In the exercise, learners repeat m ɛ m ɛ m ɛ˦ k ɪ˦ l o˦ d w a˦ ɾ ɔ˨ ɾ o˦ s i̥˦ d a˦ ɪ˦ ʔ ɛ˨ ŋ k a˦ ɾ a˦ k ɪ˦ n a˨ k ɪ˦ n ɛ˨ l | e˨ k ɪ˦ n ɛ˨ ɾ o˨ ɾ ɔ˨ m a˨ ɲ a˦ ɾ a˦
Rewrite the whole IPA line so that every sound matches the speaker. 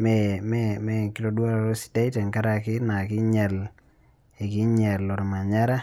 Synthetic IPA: m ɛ m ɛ m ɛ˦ k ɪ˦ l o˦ d w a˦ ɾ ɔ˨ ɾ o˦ s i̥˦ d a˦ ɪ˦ t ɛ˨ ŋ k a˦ ɾ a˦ k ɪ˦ n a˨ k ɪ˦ ɲ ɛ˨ l | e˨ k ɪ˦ ɲ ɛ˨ l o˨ ɾ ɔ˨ m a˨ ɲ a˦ ɾ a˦